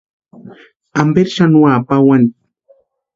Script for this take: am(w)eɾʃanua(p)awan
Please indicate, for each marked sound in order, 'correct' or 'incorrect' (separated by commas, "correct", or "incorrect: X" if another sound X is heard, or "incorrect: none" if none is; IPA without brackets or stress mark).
incorrect: b, correct